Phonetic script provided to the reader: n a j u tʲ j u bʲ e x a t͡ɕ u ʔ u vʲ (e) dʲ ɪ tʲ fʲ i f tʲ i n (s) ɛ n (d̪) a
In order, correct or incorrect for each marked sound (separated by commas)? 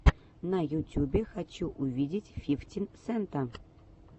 incorrect, correct, incorrect